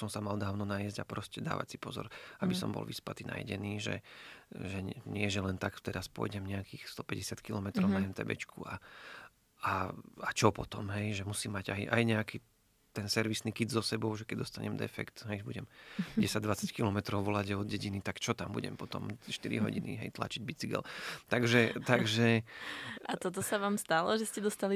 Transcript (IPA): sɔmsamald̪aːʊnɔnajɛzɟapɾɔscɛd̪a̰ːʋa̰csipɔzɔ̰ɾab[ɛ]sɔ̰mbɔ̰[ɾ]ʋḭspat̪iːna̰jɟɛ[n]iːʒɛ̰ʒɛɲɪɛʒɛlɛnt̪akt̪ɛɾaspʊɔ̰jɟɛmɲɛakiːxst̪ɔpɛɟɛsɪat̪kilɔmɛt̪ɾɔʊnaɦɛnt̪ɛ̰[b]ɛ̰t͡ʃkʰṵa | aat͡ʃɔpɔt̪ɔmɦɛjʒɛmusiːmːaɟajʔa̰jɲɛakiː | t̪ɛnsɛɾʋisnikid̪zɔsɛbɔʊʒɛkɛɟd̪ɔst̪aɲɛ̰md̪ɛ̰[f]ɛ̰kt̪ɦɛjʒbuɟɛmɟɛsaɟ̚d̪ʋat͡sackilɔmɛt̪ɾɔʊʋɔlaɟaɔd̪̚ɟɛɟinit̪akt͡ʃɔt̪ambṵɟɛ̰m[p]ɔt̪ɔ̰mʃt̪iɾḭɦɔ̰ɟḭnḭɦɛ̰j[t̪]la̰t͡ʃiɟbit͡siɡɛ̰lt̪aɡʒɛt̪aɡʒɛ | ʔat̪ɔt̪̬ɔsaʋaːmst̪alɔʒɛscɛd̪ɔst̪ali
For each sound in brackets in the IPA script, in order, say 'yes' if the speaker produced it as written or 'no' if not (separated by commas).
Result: no, no, yes, yes, yes, yes, yes